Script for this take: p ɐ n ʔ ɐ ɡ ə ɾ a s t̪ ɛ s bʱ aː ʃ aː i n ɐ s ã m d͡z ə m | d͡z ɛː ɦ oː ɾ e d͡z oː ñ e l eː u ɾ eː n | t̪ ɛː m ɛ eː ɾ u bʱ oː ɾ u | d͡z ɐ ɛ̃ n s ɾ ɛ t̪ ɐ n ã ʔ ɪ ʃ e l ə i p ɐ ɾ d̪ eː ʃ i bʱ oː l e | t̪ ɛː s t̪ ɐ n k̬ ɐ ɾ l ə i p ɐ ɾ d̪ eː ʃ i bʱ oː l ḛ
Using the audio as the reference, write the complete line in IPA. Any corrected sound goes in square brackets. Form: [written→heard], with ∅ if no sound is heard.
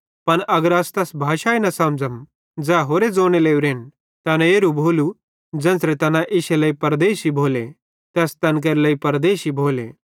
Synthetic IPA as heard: p ɐ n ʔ ɐ ɡ ə ɾ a s t̪ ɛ s bʱ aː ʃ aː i n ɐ s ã m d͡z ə m | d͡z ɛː ɦ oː ɾ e d͡z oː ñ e l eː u ɾ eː n | t̪ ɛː [m→n] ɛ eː ɾ u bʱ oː [ɾ→l] u | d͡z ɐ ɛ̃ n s ɾ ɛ t̪ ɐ n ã ʔ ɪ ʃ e l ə i p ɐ ɾ d̪ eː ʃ i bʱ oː l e | t̪ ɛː s t̪ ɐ n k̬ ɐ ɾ l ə i p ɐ ɾ d̪ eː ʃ i bʱ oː l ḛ